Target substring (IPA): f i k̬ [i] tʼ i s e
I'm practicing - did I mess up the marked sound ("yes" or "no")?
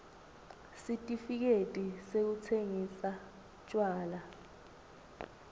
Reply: yes